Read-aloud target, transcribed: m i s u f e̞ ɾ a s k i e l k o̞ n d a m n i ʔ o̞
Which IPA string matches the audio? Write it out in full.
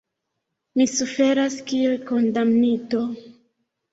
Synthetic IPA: m i s u f e̞ ɾ a s k i e l k o̞ n d a m n i t o̞